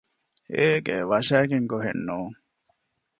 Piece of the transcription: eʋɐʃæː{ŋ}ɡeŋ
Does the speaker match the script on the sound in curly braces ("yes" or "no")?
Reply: no